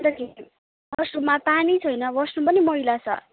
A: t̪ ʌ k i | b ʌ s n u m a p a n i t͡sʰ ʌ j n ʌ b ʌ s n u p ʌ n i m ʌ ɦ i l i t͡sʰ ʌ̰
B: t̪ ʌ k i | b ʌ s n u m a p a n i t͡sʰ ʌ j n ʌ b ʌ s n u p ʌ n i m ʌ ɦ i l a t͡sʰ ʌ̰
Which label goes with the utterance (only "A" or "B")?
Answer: B